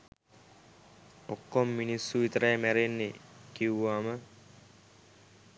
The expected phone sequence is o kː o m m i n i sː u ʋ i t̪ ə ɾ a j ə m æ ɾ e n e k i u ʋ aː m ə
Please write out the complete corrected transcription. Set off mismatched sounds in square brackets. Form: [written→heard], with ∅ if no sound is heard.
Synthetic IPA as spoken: o kː o m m i n i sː u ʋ i t̪ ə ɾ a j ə m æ ɾ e [n→nː] e k i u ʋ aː m ə